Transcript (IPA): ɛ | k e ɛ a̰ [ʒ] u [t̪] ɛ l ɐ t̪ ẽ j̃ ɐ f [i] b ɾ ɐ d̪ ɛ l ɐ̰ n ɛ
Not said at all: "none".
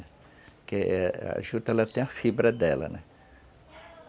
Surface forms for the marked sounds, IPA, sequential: ʒ, t̪, i

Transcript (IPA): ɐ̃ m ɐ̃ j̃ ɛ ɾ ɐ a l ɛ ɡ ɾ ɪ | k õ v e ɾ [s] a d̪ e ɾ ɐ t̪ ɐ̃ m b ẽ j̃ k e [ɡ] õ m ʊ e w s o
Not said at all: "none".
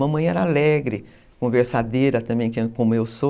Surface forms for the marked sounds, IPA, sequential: s, k

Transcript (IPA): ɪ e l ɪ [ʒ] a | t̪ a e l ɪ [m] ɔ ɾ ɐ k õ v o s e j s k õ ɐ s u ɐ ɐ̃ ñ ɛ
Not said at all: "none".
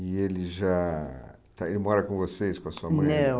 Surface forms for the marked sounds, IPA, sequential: ʒ, m

